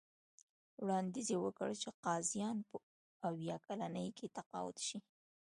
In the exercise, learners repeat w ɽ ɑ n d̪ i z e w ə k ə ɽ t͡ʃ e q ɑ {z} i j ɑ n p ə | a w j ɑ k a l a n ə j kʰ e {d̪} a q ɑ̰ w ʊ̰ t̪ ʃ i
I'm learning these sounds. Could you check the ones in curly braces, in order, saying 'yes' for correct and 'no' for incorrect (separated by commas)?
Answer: yes, no